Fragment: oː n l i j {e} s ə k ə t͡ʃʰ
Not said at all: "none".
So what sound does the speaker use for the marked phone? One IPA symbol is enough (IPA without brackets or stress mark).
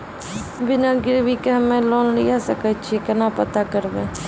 a